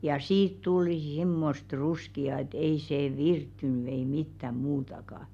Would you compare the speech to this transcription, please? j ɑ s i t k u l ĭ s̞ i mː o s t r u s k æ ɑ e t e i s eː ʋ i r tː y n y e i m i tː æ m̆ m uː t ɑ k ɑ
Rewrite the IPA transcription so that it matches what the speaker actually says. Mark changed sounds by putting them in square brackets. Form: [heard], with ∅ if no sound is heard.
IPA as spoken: j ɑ s [iː] t [t] u l ĭ s̞ i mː o s t r u s k [i] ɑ e t e i s eː ʋ i r tː y n y e i m i tː æ m̆ m uː t ɑ k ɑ